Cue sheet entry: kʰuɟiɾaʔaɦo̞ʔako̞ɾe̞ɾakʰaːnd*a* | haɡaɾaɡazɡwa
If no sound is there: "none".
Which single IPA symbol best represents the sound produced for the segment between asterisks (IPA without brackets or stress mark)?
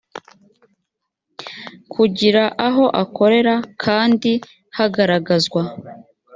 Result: i